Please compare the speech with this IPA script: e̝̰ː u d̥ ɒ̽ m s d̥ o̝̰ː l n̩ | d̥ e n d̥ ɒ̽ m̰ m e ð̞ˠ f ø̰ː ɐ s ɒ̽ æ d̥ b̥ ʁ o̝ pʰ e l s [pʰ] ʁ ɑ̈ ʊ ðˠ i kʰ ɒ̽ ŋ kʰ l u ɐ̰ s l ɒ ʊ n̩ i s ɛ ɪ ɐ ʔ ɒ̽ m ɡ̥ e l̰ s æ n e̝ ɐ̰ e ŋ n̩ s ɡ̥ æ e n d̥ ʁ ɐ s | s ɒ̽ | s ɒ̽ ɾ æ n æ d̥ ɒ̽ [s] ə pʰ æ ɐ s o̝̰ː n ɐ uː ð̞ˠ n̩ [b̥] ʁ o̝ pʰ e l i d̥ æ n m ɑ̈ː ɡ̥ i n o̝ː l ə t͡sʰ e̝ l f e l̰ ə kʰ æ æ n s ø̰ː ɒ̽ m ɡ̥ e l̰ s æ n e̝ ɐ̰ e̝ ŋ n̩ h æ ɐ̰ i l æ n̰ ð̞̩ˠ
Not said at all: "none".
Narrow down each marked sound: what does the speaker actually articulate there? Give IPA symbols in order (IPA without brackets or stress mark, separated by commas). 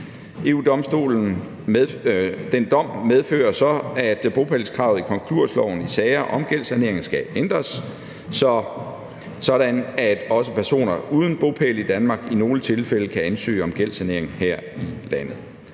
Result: kʰ, s, b̥